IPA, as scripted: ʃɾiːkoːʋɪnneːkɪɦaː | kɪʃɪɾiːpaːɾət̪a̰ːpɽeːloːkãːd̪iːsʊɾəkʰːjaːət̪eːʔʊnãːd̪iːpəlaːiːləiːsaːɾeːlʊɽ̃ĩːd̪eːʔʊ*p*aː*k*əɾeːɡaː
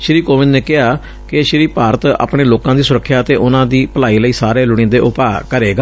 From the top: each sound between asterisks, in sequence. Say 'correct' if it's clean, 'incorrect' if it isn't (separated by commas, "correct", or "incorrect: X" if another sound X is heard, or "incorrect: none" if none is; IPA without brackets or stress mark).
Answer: correct, correct